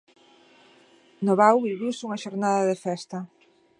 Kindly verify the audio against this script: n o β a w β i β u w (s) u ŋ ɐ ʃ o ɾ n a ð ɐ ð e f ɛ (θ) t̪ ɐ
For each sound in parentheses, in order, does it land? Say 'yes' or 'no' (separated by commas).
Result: yes, no